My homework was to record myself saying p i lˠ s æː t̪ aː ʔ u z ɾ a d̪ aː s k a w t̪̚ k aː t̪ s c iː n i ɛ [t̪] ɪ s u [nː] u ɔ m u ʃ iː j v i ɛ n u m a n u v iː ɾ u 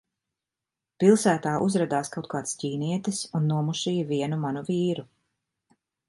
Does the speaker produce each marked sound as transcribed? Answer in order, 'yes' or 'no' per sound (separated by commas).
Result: yes, yes